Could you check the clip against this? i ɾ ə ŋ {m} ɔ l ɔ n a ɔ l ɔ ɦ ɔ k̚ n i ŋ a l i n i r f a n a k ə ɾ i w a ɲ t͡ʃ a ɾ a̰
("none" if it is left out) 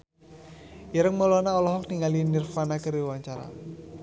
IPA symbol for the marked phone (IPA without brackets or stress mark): m